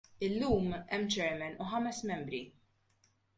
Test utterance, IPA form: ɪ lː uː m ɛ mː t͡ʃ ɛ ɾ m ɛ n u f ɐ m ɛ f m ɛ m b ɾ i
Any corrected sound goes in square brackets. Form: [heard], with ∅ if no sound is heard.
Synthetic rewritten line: ɪ lː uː m ɛ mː t͡ʃ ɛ ɾ m ɛ n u [ħ] ɐ m ɛ [s] m ɛ m b ɾ i